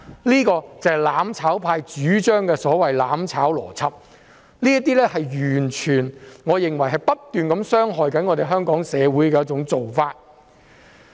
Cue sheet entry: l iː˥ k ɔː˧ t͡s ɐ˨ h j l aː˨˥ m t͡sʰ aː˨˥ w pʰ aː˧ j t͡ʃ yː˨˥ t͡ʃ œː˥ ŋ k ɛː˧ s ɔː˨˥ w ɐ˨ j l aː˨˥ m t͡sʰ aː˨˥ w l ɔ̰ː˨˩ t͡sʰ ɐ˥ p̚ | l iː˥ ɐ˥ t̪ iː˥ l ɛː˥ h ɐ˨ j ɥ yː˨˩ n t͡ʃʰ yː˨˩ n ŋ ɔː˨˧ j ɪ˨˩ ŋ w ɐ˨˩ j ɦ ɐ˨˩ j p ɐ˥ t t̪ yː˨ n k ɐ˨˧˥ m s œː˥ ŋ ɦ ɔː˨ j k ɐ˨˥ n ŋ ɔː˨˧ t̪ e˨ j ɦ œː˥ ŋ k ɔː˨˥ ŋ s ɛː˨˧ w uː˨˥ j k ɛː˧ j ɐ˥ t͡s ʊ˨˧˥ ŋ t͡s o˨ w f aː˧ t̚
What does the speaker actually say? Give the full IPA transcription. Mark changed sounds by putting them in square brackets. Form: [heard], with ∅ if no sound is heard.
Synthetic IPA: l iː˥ k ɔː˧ t͡s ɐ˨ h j l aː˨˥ m t͡sʰ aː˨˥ w pʰ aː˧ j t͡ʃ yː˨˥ t͡ʃ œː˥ ŋ k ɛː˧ s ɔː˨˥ w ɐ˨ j l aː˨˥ m t͡sʰ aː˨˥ w l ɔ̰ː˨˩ t͡sʰ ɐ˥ p̚ | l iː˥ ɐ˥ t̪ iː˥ l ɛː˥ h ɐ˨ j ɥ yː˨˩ n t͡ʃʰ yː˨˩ n ŋ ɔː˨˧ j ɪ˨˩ ŋ w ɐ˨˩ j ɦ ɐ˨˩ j p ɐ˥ t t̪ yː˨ n k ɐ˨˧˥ m s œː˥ ŋ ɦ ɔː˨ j k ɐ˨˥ n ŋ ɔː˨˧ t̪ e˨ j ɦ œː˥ ŋ k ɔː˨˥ ŋ s ɛː˨˧ w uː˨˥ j k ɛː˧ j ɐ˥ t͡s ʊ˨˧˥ ŋ t͡s o˨ w f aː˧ t̚